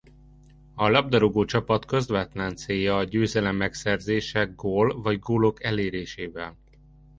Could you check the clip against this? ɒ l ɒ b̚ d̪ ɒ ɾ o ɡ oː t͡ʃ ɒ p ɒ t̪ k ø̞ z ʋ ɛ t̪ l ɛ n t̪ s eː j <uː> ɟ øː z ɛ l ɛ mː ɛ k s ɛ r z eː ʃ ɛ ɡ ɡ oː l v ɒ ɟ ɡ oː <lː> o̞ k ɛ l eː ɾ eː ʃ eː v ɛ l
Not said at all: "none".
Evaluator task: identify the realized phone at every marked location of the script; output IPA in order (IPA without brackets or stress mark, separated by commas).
ɒː, l